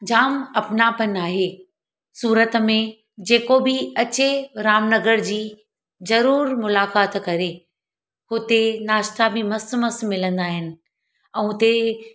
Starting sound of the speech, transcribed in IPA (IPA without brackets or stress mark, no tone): d͡ʑ